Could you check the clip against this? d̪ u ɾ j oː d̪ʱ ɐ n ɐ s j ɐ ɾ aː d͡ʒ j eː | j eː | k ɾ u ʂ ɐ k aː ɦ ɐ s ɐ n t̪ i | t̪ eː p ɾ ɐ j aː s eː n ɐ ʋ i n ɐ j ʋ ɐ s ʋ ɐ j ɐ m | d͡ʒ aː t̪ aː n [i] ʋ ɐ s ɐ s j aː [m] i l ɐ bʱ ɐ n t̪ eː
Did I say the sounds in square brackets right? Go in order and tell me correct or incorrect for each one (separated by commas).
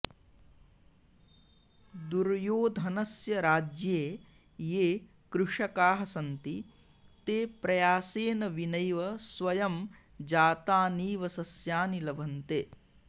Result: incorrect, incorrect